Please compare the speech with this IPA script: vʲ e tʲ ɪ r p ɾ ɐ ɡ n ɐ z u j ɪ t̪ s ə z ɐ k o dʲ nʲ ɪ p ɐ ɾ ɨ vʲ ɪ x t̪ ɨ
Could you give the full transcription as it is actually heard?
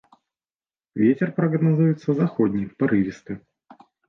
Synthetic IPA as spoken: vʲ e tʲ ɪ r p ɾ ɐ ɡ n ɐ z u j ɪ t̪ s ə z ɐ x o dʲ nʲ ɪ p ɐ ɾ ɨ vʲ ɪ s t̪ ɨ